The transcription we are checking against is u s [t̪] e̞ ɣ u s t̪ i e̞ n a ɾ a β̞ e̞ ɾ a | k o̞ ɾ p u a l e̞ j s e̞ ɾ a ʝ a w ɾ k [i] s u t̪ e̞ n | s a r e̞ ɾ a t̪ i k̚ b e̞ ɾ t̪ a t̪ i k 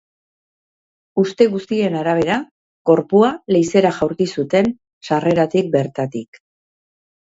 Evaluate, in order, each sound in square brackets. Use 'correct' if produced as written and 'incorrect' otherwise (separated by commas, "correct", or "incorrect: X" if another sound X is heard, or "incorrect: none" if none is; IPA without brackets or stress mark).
correct, correct